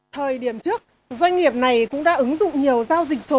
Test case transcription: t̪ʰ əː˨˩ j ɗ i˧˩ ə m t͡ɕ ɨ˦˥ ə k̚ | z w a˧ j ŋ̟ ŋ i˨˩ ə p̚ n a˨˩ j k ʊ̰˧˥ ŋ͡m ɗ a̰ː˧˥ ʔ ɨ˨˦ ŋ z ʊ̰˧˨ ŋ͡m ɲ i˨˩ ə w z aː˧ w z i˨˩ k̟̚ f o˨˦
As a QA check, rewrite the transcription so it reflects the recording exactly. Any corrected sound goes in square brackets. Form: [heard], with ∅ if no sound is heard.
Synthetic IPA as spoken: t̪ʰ əː˨˩ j ɗ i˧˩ ə m t͡ɕ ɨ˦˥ ə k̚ | z w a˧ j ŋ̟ ŋ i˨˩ ə p̚ n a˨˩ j k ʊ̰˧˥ ŋ͡m ɗ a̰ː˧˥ ʔ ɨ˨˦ ŋ z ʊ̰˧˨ ŋ͡m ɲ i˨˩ ə w z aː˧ w z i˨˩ k̟̚ [s] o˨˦